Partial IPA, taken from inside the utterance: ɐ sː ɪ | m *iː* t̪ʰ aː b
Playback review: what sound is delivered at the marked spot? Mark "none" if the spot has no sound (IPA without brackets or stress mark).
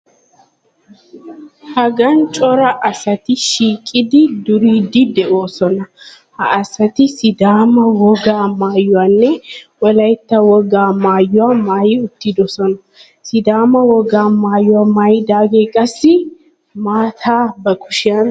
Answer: aː